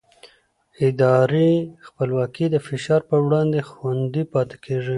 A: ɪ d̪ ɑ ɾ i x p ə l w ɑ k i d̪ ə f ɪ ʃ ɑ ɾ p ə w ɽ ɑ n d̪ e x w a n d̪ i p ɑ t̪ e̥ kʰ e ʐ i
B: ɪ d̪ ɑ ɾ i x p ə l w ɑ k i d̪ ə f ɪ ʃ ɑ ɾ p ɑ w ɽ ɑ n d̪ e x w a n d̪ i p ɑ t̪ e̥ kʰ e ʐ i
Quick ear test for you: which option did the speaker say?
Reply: A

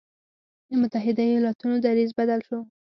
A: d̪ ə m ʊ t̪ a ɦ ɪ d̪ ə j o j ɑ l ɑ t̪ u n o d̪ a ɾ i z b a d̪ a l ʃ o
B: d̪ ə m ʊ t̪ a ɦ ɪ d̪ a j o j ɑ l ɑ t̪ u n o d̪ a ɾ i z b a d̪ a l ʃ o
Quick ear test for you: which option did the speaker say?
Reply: B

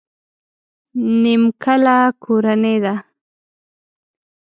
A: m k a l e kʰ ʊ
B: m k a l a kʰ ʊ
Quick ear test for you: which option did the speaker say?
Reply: B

